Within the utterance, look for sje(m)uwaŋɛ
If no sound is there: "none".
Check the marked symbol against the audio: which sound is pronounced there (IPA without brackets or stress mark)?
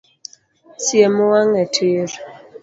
m